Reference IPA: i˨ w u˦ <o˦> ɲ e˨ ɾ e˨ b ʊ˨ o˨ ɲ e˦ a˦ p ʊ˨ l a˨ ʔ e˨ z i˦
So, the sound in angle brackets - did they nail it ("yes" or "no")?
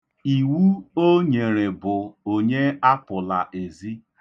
yes